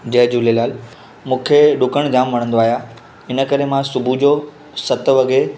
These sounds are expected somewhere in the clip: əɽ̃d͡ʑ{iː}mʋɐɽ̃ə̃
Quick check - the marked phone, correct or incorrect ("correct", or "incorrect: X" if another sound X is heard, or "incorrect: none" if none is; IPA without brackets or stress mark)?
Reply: incorrect: aː